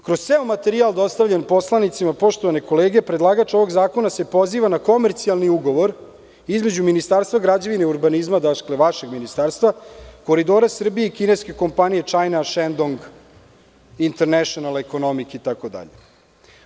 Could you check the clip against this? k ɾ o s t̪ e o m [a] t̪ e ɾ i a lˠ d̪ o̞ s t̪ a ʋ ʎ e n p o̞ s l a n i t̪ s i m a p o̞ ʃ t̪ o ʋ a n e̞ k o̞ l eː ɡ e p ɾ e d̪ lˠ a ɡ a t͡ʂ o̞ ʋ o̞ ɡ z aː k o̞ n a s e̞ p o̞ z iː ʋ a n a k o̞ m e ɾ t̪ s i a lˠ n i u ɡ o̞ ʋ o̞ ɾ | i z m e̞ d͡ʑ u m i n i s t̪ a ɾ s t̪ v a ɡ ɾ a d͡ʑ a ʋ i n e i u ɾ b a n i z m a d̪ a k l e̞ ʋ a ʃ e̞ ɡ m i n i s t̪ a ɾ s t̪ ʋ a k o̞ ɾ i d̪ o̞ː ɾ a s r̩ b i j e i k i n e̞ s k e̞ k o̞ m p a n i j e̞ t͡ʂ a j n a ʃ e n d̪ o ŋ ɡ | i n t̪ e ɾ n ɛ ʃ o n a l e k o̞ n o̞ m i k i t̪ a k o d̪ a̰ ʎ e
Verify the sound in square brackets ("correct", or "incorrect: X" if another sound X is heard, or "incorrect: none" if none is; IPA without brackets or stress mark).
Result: correct